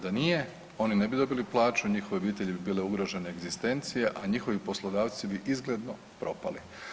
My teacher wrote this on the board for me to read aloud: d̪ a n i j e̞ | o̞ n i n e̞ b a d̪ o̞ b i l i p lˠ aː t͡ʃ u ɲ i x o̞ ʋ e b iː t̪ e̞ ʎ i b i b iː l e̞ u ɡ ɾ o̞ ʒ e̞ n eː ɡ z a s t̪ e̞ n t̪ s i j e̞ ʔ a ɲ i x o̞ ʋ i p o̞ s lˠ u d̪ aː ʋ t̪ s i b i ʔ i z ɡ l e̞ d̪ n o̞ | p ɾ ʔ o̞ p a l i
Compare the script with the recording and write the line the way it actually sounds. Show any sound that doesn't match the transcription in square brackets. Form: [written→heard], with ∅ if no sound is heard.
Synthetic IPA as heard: d̪ a n i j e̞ | o̞ n i n e̞ b [a→i] d̪ o̞ b i l i p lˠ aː t͡ʃ u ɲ i x o̞ ʋ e b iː t̪ e̞ ʎ i b i b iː l e̞ u ɡ ɾ o̞ ʒ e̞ n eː ɡ z [a→i] s t̪ e̞ n t̪ s i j e̞ ʔ a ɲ i x o̞ ʋ i p o̞ s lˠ [u→o] d̪ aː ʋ t̪ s i b i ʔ i z ɡ l e̞ d̪ n o̞ | p ɾ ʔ o̞ p a l i